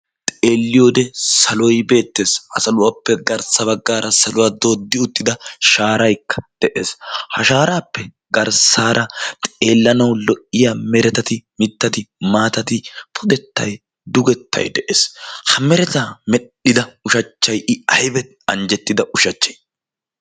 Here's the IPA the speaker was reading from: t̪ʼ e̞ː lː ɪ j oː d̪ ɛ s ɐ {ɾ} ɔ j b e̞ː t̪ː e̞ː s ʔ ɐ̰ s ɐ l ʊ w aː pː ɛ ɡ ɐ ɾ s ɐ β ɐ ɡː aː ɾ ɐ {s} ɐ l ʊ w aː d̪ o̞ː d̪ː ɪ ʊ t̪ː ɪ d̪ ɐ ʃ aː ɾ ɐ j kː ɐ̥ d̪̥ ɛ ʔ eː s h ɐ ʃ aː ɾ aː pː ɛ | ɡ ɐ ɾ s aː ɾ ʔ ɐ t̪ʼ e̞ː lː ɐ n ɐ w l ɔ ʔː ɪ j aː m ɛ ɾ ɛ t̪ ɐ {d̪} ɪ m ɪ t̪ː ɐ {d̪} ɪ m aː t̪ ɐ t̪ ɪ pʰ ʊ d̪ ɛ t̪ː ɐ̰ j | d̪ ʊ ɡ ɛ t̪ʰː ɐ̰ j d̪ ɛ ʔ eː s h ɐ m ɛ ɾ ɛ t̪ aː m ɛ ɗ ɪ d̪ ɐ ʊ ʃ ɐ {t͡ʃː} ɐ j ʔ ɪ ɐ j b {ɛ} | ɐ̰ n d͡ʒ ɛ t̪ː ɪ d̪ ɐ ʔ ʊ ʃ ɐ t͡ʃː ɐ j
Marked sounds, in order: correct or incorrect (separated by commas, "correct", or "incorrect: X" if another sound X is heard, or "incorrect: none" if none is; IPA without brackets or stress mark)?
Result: incorrect: l, correct, incorrect: t̪, incorrect: t̪, correct, correct